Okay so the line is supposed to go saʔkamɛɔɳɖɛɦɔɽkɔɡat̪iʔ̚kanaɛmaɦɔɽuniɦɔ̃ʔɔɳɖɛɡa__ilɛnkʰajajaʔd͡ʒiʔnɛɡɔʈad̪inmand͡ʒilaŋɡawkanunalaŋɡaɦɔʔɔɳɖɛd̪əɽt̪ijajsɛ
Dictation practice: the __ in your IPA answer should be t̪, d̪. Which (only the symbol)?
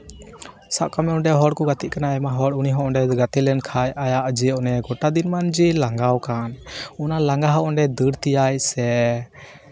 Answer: t̪